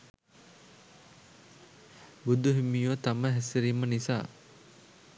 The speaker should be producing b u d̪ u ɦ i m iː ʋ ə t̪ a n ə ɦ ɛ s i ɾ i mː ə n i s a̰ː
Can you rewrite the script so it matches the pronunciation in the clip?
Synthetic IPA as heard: b u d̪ u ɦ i m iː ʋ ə t̪ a m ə ɦ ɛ s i ɾ i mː ə n i s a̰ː